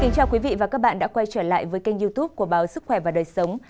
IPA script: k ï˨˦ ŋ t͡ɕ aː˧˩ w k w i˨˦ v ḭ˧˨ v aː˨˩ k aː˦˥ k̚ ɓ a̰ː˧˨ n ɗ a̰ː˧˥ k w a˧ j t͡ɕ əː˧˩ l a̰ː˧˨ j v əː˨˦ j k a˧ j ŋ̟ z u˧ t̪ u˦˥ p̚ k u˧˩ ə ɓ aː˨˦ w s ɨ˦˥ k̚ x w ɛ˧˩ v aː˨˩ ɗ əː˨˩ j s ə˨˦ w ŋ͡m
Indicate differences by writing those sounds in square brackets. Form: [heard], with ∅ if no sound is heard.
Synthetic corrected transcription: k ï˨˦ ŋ t͡ɕ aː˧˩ w k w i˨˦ v ḭ˧˨ v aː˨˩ k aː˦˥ k̚ ɓ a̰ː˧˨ n ɗ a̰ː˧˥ k w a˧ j t͡ɕ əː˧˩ l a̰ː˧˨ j v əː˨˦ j k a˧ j ŋ̟ z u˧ t̪ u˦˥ p̚ k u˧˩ ə ɓ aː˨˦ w s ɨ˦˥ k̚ x w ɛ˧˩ v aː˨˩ ɗ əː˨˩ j s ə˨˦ w ŋ͡m